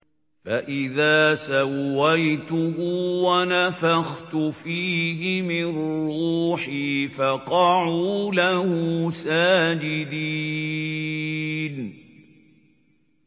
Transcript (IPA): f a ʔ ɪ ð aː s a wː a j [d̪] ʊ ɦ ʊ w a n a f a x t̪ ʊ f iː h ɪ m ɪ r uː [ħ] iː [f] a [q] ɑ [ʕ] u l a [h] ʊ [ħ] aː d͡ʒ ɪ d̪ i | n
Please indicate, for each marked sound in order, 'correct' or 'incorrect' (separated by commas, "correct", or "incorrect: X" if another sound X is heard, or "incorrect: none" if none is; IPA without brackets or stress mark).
incorrect: t̪, correct, correct, correct, correct, correct, incorrect: s